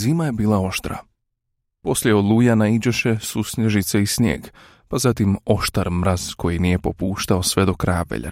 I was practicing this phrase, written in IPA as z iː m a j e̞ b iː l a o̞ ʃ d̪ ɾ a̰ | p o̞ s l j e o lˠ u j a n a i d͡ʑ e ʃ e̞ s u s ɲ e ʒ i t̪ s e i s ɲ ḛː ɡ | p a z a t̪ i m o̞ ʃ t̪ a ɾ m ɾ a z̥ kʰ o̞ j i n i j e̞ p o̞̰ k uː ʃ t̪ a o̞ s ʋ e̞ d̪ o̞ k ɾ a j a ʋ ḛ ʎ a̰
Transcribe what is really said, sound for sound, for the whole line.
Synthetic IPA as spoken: z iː m a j e̞ b iː l a o̞ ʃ t̪ ɾ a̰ | p o̞ s l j e o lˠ u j a n a i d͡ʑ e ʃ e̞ s u s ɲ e ʒ i t̪ s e i s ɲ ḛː ɡ | p a z a t̪ i m o̞ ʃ t̪ a ɾ m ɾ a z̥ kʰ o̞ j i n i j e̞ p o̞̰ p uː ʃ t̪ a o̞ s ʋ e̞ d̪ o̞ k ɾ a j a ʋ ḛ ʎ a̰